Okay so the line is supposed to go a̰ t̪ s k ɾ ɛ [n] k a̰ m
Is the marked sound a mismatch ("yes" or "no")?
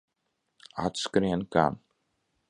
no